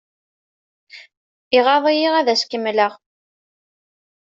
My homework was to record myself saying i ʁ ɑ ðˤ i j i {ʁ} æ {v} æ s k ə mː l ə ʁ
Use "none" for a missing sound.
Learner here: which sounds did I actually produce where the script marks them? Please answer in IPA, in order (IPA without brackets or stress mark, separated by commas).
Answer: ʁ, ð